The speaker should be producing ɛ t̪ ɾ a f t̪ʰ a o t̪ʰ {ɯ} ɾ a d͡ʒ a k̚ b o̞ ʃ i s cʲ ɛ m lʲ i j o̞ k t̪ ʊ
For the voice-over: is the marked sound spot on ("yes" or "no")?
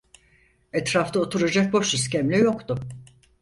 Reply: no